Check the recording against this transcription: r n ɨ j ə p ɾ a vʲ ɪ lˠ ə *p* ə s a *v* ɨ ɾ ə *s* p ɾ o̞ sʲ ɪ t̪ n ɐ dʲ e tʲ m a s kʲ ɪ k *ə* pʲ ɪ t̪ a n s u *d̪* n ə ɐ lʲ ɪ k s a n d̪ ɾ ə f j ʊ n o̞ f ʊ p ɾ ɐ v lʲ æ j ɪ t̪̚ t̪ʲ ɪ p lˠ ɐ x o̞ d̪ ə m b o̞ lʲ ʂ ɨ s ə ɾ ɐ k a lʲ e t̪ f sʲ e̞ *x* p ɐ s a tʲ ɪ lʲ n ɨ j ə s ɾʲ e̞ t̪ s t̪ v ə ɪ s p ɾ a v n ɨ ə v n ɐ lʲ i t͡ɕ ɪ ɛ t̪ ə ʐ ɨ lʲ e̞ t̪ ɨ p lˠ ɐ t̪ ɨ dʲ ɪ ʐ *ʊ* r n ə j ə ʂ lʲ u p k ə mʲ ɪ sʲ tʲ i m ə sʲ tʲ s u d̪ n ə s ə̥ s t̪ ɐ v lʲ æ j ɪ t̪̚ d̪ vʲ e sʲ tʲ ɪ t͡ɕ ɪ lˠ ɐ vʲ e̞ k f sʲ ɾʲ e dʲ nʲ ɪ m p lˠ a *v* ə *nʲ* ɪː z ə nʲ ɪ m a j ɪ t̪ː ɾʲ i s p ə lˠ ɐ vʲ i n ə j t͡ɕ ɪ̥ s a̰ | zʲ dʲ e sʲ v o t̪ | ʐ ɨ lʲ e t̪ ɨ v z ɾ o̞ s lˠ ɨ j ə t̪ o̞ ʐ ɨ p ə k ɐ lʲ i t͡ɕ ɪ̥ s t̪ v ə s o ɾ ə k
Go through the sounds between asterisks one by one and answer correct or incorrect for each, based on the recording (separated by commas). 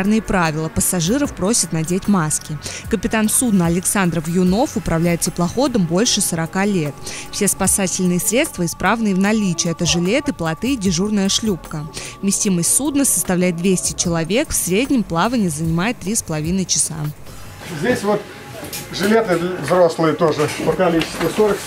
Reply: correct, incorrect, incorrect, correct, correct, incorrect, incorrect, correct, correct